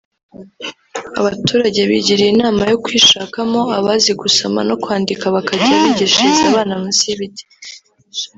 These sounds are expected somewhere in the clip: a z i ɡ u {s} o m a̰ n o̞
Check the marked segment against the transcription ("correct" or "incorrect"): correct